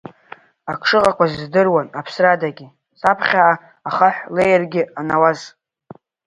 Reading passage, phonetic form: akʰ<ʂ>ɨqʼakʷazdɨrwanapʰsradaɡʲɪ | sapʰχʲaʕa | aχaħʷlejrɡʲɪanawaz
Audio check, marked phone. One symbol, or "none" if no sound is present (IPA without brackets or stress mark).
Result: ʂ